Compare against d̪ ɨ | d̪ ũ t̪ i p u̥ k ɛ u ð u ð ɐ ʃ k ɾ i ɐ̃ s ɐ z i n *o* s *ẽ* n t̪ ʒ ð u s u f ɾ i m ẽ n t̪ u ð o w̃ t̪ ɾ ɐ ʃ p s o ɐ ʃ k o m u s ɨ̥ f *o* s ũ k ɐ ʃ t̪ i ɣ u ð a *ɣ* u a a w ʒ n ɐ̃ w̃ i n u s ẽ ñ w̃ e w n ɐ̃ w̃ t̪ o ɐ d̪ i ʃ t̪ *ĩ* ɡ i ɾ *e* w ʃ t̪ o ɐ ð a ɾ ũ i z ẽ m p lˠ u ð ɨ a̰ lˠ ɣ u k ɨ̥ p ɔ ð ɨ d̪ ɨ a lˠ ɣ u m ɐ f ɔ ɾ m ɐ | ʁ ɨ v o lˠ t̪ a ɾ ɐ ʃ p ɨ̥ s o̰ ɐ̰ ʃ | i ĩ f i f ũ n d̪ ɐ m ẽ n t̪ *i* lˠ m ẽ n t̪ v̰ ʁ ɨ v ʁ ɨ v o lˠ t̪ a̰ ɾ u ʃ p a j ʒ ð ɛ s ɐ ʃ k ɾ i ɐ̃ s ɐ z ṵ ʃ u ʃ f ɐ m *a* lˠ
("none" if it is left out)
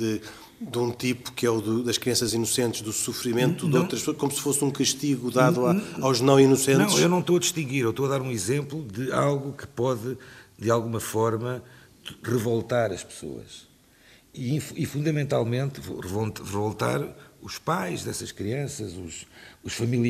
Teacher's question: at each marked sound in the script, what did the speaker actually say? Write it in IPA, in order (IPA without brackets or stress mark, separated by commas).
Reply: u, ẽ, o, ð, ĩ, e, a, i